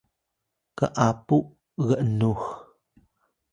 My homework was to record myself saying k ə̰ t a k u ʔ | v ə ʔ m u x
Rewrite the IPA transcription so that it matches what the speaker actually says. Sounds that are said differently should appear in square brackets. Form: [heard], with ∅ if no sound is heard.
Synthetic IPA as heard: k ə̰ [ʔ] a [p] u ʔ | [ɣ] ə ʔ [n] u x